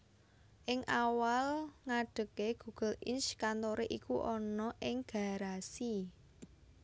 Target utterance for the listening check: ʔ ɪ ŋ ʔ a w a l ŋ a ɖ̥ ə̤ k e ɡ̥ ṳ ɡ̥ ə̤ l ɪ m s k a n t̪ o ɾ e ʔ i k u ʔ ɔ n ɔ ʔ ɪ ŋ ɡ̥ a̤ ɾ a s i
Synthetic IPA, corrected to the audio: ʔ ɪ ŋ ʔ a w a l ŋ a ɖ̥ ə̤ k e ɡ̥ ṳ ɡ̥ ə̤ l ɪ n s k a n t̪ o ɾ e ʔ i k u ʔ ɔ n ɔ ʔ ɪ ŋ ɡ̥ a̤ ɾ a s i